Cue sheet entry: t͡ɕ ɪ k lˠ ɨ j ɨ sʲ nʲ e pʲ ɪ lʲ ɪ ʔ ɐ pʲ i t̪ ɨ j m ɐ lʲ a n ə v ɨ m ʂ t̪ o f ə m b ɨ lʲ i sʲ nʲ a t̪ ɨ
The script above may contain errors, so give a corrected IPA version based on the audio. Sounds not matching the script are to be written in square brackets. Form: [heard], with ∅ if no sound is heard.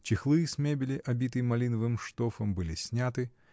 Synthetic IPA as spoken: t͡ɕ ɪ [x] lˠ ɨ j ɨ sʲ [mʲ] e [bʲ] ɪ lʲ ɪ ʔ ɐ [bʲ] i t̪ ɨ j m ɐ lʲ [i] n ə v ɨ m ʂ t̪ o f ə m b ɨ lʲ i sʲ nʲ a t̪ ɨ